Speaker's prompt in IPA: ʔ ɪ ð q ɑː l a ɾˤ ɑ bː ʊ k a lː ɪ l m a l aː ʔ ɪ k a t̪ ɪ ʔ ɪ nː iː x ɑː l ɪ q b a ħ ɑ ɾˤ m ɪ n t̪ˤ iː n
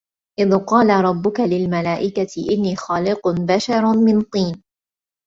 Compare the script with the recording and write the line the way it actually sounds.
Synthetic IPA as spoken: ʔ ɪ ð q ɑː l a ɾˤ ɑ bː ʊ k a l ɪ l m a l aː ʔ ɪ k a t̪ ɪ ʔ ɪ nː iː x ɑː l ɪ q b a ʃ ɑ ɾˤ m ɪ n t̪ˤ iː n